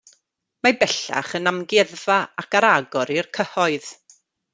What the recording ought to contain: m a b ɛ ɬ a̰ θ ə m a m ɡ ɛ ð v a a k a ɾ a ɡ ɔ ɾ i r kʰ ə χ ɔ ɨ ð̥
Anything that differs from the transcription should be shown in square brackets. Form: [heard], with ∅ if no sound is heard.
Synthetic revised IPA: m a b ɛ ɬ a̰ [χ] ə [n] a m ɡ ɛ ð v a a k a ɾ a ɡ ɔ ɾ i r kʰ ə [h] ɔ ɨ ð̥